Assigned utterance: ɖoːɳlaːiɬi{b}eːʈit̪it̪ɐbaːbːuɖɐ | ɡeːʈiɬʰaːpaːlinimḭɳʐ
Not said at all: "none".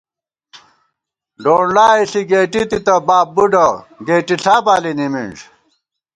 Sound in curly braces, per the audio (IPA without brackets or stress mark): ɡ